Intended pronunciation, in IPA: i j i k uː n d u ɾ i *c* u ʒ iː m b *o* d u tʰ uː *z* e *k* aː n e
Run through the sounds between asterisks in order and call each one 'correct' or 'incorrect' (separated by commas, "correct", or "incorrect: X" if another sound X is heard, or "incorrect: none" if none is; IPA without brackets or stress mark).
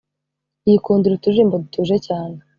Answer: incorrect: t, correct, incorrect: ʒ, incorrect: c